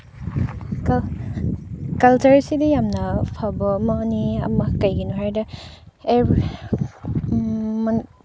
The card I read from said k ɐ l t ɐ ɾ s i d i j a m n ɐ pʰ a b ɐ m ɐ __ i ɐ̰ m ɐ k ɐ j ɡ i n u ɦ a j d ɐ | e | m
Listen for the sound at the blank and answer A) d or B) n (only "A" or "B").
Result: B